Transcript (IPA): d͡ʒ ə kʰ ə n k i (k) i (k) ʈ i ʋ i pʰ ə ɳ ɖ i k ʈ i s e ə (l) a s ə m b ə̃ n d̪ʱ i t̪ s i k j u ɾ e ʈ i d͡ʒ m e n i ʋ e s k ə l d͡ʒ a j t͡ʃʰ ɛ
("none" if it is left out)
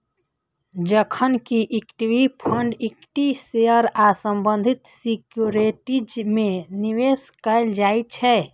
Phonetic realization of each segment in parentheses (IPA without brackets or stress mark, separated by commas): ʔ, k, ɾ